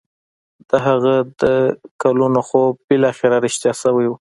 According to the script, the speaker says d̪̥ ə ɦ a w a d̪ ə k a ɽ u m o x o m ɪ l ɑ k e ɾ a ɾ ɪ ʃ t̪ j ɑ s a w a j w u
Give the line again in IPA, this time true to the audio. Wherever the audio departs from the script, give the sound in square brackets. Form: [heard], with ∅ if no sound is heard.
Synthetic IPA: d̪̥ ə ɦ a [ɣ] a d̪ ə k a [l] u [n] o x o [b] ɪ l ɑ [x] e ɾ a ɾ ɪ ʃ t̪ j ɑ s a w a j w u